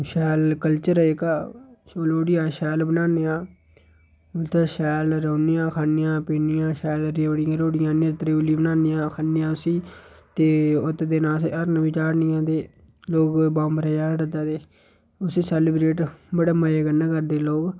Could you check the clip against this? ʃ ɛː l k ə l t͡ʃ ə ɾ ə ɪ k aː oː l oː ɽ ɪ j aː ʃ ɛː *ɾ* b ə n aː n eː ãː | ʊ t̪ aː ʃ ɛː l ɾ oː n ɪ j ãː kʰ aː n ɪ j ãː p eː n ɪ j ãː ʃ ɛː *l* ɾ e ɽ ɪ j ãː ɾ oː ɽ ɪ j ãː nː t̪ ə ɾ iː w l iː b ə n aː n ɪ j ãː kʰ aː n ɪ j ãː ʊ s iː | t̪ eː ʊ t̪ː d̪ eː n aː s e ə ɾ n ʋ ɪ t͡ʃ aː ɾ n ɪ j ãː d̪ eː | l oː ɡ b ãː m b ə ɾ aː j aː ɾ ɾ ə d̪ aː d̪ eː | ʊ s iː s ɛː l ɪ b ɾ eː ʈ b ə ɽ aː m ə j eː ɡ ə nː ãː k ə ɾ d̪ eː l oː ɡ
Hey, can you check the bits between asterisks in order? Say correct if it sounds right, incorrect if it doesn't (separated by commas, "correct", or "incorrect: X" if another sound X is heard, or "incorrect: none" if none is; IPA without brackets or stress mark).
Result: incorrect: l, correct